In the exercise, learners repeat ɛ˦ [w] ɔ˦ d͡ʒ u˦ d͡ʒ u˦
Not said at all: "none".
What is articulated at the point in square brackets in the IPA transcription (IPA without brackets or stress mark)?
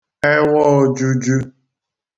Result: w